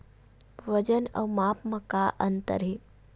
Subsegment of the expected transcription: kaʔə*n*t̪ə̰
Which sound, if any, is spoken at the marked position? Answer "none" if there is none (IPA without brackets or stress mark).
n